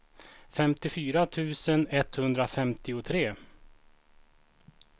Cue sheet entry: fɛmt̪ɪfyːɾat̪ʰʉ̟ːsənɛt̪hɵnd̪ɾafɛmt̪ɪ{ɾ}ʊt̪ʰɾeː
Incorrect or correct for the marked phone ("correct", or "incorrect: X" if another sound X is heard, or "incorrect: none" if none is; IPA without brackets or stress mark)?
incorrect: none